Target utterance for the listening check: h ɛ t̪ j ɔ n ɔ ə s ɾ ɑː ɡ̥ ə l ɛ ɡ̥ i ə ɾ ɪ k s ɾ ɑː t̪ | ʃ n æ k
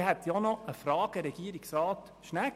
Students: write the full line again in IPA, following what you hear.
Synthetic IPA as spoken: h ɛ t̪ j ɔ n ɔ ə f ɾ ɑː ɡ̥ ə ɾ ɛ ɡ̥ i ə ɾ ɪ k s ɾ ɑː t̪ | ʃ n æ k